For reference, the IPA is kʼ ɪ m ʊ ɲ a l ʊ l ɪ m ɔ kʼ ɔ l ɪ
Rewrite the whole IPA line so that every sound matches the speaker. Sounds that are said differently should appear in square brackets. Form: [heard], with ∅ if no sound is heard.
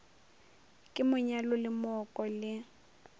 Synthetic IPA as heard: kʼ ɪ m ʊ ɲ a l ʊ l ɪ m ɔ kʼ ɔ l ɪ